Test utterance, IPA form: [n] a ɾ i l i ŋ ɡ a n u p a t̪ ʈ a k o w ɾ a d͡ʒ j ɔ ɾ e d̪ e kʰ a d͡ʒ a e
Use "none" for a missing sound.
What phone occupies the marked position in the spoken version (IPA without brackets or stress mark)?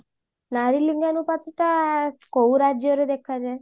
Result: n